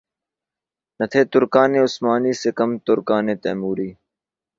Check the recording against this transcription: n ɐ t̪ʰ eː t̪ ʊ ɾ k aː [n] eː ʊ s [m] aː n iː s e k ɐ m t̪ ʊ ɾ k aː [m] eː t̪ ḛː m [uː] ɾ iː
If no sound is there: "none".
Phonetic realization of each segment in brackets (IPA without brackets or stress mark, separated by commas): n, m, n, uː